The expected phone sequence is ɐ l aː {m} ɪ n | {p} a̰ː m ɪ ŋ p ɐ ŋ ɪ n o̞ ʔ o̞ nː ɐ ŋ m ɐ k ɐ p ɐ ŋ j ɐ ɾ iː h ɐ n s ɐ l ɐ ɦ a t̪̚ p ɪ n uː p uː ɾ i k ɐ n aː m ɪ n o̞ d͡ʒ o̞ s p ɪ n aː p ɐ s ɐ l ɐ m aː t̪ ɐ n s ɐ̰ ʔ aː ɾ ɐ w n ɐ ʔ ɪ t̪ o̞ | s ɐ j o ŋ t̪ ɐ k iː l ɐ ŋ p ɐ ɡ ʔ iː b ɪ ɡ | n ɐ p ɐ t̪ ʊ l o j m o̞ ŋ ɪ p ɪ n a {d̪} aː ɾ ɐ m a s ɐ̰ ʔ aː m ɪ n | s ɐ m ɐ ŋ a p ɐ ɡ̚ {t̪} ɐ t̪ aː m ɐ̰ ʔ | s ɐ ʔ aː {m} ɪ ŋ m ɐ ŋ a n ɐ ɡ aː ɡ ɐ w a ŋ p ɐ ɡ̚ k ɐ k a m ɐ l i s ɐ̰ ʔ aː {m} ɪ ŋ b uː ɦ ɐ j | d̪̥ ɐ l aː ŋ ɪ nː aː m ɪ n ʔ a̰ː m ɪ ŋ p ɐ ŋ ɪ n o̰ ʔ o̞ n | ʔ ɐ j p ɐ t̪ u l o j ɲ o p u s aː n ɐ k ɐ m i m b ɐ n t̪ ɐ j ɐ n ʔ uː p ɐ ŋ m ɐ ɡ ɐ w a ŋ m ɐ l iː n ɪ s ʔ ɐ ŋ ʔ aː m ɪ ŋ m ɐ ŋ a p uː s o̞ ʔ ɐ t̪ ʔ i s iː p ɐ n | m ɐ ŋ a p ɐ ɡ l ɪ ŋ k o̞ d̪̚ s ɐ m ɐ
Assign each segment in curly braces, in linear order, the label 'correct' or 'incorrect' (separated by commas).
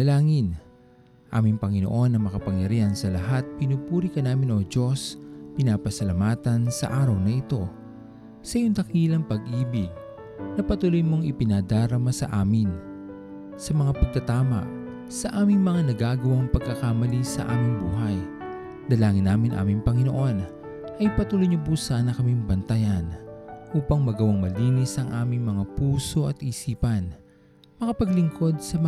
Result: incorrect, incorrect, correct, correct, correct, correct